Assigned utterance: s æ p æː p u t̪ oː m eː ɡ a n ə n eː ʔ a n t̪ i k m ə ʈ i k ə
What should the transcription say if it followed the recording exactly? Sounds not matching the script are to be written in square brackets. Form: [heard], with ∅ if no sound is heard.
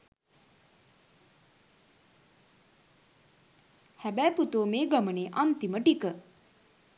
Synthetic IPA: [h] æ [b] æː p u t̪ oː m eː ɡ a [m] ə n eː ʔ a n t̪ i [∅] m ə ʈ i k ə